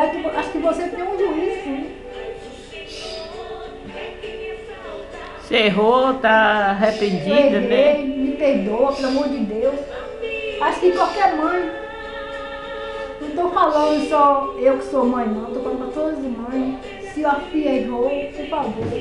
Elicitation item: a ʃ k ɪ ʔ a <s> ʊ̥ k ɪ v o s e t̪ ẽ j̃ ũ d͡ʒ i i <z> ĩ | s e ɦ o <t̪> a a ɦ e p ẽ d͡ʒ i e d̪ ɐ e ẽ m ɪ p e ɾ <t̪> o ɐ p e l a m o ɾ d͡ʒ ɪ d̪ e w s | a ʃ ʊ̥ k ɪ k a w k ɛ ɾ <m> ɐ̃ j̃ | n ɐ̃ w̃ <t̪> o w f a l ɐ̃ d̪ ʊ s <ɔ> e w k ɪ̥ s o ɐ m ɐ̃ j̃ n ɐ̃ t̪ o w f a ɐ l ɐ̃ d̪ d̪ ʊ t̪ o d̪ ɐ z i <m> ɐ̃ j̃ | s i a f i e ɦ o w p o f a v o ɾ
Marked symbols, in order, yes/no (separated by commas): no, no, yes, no, yes, yes, yes, yes